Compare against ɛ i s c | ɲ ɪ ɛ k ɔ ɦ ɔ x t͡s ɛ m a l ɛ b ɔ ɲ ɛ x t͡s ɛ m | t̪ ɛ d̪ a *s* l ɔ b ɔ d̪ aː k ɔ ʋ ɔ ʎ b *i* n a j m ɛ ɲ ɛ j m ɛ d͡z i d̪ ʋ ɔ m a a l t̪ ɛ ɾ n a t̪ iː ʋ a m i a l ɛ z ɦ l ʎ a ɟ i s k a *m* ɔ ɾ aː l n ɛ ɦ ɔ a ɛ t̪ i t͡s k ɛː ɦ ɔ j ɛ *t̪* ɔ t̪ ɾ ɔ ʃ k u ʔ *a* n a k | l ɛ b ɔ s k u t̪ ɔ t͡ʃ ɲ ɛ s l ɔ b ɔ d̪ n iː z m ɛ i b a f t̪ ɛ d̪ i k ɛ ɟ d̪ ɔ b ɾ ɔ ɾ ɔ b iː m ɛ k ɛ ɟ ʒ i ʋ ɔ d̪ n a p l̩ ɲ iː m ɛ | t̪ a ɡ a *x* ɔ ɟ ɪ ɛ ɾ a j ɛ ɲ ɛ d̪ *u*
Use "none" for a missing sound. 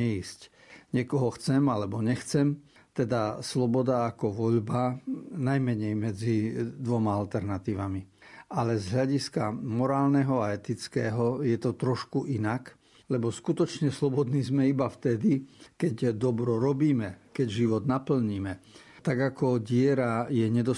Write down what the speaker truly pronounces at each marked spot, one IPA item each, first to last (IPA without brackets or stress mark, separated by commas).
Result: s, a, m, t̪, i, k, ɔ